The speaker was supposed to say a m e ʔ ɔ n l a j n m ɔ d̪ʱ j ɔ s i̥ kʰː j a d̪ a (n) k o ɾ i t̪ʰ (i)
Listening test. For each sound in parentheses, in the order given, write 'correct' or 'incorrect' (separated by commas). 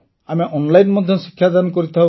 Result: correct, incorrect